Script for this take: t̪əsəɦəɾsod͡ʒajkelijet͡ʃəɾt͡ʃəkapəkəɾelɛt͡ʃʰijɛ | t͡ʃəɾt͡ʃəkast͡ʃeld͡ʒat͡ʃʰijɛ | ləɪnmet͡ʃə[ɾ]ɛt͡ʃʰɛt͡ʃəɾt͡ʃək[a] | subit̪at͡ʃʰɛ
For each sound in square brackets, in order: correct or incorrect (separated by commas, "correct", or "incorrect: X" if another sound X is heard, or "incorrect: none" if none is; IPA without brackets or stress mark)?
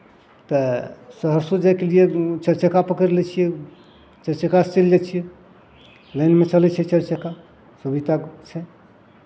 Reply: incorrect: l, correct